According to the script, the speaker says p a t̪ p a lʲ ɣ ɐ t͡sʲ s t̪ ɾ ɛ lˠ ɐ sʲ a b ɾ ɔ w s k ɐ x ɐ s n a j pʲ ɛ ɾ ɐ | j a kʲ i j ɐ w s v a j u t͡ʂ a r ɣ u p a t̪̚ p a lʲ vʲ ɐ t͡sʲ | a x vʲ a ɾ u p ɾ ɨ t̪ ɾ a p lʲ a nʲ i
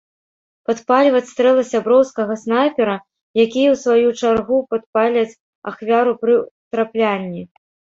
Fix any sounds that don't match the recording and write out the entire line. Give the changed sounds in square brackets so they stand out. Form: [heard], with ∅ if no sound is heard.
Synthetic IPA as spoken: p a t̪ p a lʲ [v] ɐ t͡sʲ s t̪ ɾ ɛ lˠ ɐ sʲ a b ɾ ɔ w s k ɐ [ɣ] ɐ s n a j pʲ ɛ ɾ ɐ | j a kʲ i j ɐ w s v a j u t͡ʂ a r ɣ u p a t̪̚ p a lʲ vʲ ɐ t͡sʲ | a x vʲ a ɾ u p ɾ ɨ t̪ ɾ a p lʲ a [nʲː] i